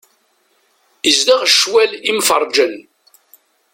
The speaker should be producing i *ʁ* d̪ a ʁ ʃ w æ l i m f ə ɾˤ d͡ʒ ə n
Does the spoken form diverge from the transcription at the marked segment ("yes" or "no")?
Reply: yes